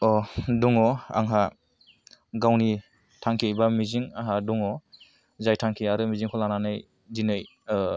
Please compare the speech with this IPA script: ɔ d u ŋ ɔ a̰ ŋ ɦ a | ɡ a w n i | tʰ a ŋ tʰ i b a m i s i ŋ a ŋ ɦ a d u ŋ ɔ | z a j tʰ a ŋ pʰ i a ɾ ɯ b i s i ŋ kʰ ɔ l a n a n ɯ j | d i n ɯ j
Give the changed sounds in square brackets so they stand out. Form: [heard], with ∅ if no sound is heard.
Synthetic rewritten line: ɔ d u ŋ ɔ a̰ ŋ ɦ a | ɡ a w n i | tʰ a ŋ [kʰ] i b a m i [z] i ŋ a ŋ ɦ a d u ŋ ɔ | z a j tʰ a ŋ [kʰ] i a ɾ ɯ [m] i [z] i ŋ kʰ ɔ l a n a n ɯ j | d i n ɯ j